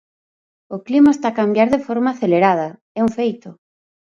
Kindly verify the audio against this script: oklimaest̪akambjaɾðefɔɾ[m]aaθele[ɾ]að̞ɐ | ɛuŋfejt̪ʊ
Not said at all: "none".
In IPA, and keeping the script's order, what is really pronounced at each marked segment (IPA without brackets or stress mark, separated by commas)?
m, ɾ